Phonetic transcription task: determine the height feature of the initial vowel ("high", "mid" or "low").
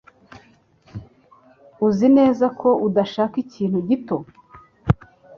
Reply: high